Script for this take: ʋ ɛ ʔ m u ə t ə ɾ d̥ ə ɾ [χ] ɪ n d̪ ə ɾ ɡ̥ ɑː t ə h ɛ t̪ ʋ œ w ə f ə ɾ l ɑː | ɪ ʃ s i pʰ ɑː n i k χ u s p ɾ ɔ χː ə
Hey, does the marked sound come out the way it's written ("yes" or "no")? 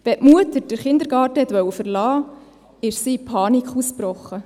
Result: yes